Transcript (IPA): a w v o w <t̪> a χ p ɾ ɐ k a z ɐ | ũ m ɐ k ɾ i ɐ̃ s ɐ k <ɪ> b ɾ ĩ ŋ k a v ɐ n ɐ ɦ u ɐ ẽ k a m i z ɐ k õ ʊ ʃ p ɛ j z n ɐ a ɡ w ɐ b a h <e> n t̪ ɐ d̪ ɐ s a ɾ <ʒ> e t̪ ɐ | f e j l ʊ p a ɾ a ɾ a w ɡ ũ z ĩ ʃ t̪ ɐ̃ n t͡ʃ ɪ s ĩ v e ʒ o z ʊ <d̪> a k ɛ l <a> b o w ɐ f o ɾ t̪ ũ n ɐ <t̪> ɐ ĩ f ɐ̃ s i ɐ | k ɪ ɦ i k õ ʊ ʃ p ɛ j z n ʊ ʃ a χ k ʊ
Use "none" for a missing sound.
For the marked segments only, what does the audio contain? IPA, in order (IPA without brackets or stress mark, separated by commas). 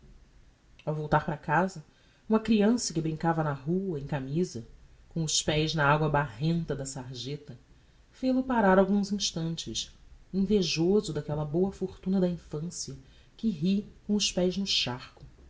t̪, ɪ, ẽ, ʒ, d̪, ɐ, d̪